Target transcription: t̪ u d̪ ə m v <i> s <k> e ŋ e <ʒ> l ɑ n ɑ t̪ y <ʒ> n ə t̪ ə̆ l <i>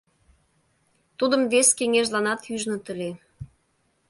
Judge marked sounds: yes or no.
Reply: no, yes, yes, yes, no

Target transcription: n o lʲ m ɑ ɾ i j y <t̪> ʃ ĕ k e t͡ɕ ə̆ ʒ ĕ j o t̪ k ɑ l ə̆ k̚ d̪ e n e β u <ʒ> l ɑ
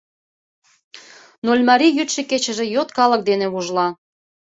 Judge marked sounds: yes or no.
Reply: yes, yes

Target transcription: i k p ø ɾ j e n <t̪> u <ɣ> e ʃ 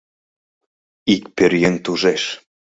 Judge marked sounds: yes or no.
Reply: yes, no

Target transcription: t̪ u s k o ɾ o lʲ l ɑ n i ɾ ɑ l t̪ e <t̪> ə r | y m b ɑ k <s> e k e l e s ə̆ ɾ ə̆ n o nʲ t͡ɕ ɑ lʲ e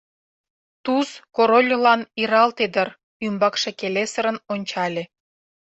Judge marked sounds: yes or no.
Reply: no, no

